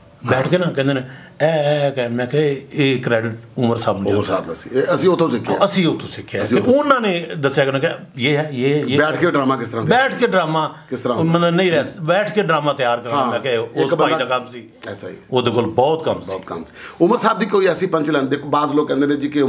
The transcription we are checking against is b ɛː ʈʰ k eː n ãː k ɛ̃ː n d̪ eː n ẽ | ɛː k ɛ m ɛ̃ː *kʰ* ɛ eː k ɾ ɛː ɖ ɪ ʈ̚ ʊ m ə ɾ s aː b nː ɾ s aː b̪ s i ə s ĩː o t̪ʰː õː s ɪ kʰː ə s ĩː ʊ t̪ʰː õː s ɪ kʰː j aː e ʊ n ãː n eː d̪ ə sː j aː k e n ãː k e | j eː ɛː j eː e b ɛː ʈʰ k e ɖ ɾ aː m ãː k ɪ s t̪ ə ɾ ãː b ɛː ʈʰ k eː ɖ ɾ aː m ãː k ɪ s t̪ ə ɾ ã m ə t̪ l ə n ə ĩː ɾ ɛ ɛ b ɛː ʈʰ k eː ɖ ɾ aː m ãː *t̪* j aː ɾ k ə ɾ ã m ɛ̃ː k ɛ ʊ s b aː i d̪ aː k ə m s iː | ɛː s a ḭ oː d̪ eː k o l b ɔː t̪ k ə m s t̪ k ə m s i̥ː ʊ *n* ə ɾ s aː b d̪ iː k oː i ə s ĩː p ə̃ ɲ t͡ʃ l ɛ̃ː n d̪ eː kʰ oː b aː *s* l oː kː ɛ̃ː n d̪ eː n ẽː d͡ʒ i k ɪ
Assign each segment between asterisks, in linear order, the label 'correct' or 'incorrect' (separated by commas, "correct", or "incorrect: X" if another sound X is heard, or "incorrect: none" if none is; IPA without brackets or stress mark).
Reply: incorrect: k, correct, incorrect: m, incorrect: z